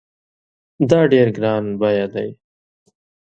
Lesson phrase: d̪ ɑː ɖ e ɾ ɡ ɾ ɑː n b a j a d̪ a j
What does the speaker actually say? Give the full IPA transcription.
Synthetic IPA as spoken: d̪ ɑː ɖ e ɾ ɡ ɾ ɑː n b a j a d̪ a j